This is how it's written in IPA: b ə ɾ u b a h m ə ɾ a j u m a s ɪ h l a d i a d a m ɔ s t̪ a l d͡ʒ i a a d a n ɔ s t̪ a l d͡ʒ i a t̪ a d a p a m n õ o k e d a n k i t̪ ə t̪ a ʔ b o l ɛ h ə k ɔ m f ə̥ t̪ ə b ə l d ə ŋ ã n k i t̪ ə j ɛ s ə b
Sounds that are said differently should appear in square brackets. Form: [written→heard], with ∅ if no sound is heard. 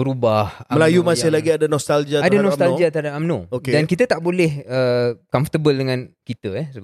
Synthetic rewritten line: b ə ɾ u b a h m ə [ɾ→l] a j u m a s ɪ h l a [d→ɡ] i a d a [m→n] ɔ s t̪ a l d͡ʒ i a a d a n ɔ s t̪ a l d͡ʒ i a t̪ a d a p a m n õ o k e d a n k i t̪ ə t̪ a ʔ b o l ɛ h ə k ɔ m f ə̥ t̪ ə b ə l d ə ŋ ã n k i t̪ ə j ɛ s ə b